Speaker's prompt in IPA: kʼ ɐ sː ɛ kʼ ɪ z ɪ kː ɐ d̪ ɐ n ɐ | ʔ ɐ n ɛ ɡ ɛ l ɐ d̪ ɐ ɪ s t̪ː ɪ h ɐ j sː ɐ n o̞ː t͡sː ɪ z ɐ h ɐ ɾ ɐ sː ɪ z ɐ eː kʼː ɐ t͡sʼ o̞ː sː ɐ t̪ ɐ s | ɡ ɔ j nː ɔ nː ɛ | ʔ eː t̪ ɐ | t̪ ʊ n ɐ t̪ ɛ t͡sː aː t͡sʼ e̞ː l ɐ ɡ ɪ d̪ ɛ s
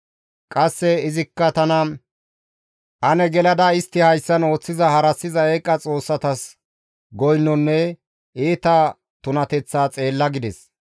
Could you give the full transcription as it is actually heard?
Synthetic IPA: kʼ ɐ sː ɛ ɪ z ɪ kː ɐ t̪ ɐ n ɐ | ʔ ɐ n ɛ ɡ ɛ l ɐ d̪ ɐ ɪ s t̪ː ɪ h ɐ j sː ɐ n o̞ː t͡sː ɪ z ɐ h ɐ ɾ ɐ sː ɪ z ɐ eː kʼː ɐ t͡sʼ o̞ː sː ɐ t̪ ɐ s | ɡ ɔ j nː ɔ nː ɛ | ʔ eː t̪ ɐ | t̪ ʊ n ɐ t̪ ɛ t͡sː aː t͡sʼ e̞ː lː ɐ ɡ ɪ d̪ ɛ s